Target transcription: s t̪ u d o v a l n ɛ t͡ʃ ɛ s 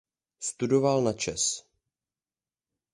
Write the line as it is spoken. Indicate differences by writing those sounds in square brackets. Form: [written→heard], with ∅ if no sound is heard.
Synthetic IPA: s t̪ u d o v a l n [ɛ→a] t͡ʃ ɛ s